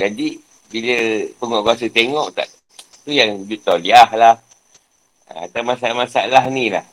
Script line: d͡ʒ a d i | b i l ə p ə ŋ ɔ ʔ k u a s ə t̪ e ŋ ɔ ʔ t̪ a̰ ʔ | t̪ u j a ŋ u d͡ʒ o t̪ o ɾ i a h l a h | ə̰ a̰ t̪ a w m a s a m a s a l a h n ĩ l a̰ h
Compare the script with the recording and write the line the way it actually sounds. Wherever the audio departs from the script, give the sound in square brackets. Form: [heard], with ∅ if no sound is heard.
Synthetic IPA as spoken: d͡ʒ a d i | b i l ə p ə ŋ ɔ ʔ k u a s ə t̪ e ŋ ɔ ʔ t̪ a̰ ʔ | t̪ u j a ŋ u d͡ʒ [u] t̪ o [l] i a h l a h | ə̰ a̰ t̪ a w m a s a m a s a l a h n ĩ l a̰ h